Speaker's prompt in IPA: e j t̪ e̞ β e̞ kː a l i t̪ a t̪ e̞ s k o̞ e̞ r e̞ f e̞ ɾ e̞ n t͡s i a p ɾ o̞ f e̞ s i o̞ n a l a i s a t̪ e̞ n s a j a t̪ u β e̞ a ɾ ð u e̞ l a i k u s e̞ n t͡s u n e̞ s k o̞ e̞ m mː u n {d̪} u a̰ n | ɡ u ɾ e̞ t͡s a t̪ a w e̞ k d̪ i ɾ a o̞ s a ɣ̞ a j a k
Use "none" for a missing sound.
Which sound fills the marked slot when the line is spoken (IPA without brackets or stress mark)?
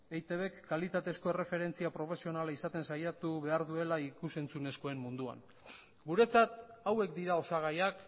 d̪